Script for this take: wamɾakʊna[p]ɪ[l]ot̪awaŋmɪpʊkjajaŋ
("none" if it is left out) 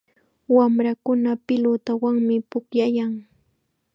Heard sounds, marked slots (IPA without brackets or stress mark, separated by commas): p, l